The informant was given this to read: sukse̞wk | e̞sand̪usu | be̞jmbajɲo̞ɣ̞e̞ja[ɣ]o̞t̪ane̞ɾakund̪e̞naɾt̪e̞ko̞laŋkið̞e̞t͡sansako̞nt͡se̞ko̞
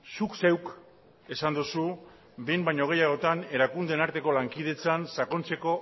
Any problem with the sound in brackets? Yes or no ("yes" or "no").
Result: no